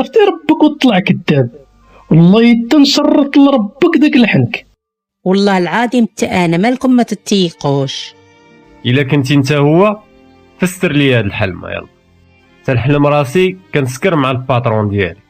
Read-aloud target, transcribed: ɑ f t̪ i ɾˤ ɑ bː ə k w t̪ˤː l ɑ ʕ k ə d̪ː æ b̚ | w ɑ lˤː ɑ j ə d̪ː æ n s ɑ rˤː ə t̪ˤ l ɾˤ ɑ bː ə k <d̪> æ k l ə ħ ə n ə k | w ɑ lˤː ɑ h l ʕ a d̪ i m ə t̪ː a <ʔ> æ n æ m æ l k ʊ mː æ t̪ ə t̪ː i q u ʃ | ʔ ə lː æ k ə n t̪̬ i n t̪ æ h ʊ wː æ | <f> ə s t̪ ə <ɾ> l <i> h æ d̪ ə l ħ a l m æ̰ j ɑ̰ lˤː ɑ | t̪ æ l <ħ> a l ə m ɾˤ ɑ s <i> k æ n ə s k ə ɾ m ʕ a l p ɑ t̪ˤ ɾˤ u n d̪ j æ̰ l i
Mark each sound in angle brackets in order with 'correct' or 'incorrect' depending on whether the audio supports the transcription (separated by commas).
correct, correct, correct, correct, correct, correct, correct